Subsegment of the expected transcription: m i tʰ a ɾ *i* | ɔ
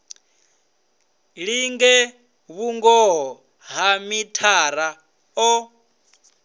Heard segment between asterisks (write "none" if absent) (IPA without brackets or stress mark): a